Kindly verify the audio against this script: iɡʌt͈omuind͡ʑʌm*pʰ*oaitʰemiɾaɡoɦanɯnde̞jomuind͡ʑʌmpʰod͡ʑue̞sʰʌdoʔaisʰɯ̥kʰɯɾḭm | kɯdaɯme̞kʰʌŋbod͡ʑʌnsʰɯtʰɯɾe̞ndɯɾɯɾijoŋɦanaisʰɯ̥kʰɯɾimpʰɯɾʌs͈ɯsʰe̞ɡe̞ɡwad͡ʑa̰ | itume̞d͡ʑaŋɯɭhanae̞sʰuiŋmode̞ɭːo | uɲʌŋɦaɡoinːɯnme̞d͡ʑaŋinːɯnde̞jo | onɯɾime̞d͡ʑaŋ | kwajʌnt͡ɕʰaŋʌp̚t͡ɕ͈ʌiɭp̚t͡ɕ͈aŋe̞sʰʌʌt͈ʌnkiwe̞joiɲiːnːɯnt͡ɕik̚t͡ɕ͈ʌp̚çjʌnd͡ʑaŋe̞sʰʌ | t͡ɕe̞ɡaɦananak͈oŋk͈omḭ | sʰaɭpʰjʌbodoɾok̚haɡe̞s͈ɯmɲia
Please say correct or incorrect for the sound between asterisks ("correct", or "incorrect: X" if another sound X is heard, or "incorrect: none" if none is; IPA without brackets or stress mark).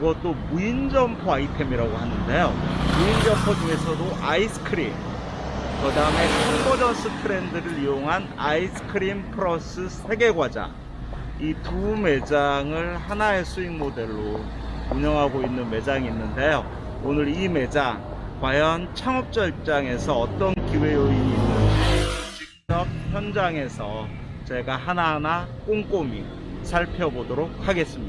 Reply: correct